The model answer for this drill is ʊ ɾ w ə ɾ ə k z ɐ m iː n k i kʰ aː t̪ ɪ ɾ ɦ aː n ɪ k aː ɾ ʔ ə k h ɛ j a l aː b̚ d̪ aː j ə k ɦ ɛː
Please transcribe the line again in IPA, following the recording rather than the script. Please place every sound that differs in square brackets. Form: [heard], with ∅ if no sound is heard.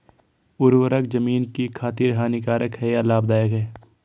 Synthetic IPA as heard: ʊ ɾ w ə ɾ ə k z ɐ m iː n k i kʰ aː t̪ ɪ ɾ ɦ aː n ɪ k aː ɾ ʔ ə k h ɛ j a l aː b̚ d̪ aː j ə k ɦ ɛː